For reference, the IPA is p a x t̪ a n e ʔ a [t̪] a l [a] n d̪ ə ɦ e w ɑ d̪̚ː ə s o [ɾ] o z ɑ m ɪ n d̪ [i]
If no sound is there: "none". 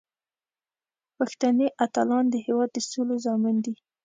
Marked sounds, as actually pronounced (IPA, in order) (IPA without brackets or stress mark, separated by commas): t̪, ɑ, l, i